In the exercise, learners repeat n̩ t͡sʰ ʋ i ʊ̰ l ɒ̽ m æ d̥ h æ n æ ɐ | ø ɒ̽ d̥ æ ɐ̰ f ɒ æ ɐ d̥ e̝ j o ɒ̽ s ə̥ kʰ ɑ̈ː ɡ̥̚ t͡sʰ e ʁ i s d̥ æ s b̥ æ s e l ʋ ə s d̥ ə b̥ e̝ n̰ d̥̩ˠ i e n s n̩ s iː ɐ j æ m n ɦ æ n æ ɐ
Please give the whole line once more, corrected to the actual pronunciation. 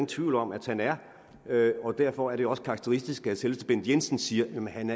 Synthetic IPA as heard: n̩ t͡sʰ ʋ i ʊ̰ l ɒ̽ m æ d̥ h æ n æ ɐ | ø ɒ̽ d̥ æ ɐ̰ f ɒ æ ɐ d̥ e̝ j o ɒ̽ s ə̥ kʰ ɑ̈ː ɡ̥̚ t͡sʰ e ʁ i s d̥ i s ɡ̥ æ s e l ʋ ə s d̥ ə b̥ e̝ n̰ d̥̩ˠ j e n s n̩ s iː ɐ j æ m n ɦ æ n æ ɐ